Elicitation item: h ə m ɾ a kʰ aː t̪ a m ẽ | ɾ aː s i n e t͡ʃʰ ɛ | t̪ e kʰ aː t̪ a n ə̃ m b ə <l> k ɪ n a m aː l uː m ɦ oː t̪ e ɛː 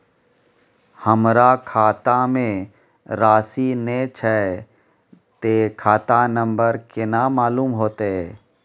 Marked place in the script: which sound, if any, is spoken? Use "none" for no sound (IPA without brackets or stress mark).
ɾ